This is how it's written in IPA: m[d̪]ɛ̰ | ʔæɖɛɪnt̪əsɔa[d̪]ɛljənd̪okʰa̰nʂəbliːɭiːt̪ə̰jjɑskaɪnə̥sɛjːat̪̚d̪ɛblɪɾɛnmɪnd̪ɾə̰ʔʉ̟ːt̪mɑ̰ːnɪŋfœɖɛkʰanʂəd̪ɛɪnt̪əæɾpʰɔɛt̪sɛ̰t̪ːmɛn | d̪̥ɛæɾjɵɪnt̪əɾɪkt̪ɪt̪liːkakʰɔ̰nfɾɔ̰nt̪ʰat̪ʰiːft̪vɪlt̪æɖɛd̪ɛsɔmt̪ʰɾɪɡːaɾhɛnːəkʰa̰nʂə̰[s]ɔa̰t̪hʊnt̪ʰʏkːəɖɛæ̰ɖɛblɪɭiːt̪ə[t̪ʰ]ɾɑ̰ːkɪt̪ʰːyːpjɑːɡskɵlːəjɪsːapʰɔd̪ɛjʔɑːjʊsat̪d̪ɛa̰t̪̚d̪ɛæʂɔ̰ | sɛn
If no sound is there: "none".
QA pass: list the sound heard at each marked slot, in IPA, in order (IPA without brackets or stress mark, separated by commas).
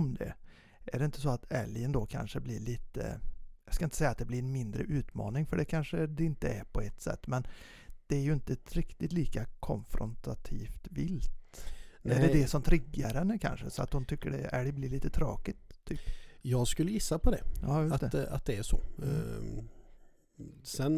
d̪, t̪, s, t̪ʰ